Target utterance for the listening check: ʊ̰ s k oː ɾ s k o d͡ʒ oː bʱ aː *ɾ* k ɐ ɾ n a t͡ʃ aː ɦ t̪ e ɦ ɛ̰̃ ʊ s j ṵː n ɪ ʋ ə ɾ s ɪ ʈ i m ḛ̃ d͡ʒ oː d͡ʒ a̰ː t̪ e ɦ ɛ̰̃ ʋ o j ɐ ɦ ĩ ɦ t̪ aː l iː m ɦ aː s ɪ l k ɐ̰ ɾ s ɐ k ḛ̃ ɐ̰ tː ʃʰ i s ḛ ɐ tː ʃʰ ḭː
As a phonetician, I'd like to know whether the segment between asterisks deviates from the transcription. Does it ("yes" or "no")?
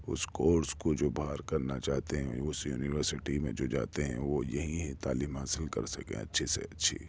no